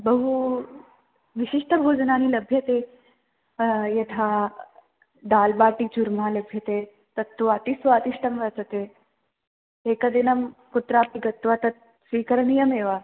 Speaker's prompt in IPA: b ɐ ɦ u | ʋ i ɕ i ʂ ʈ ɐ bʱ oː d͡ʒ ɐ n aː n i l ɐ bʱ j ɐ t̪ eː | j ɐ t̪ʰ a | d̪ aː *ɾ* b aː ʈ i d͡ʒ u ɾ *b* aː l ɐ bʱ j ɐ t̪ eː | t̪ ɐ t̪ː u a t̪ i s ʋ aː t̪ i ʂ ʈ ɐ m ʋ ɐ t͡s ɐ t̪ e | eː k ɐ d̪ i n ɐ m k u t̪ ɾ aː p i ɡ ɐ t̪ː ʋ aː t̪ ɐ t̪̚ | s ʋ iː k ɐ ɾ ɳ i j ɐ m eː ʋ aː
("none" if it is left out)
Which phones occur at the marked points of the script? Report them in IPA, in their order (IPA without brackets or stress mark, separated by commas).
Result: l, m